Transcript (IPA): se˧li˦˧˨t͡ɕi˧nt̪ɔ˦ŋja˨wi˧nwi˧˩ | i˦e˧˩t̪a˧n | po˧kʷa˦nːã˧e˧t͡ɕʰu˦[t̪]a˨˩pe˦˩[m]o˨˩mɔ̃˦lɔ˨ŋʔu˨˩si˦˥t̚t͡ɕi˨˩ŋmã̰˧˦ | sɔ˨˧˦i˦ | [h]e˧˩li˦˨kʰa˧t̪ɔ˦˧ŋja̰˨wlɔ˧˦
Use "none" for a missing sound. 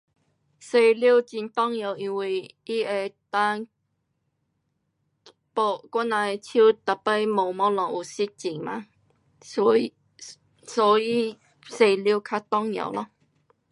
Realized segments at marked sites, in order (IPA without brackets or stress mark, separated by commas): t̪, m, s